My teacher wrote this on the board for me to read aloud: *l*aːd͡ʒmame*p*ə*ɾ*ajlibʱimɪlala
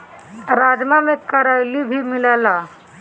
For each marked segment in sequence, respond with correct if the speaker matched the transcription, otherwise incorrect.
incorrect: ɾ, incorrect: k, correct

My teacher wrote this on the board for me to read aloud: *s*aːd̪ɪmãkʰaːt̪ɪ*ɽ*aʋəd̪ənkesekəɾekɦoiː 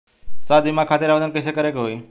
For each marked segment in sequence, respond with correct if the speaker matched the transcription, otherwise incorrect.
correct, incorrect: ɾ

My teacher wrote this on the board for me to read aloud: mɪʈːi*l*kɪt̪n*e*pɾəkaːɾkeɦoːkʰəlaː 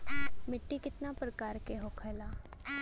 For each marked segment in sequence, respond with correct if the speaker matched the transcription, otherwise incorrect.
incorrect: none, incorrect: a

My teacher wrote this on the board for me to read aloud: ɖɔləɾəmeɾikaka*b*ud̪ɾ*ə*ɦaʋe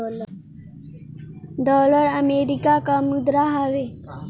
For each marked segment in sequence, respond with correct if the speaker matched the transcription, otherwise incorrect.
incorrect: m, incorrect: a

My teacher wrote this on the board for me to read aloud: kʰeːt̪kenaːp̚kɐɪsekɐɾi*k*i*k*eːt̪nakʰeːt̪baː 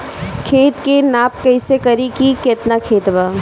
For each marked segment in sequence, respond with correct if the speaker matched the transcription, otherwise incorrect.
correct, correct

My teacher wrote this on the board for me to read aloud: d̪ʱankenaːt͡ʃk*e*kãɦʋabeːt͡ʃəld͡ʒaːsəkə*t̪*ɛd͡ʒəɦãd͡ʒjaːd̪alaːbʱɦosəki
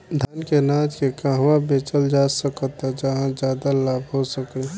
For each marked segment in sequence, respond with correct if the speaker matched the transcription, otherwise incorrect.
correct, correct

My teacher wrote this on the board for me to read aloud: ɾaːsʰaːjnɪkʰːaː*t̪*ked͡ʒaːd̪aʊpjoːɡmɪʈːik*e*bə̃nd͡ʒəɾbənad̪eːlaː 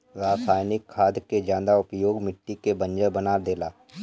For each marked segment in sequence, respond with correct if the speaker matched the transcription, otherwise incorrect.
incorrect: d̪, correct

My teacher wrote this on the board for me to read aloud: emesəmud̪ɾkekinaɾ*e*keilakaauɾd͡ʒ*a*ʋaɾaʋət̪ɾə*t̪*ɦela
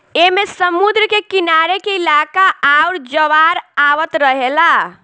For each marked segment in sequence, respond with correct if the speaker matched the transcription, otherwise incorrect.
correct, incorrect: ə, incorrect: none

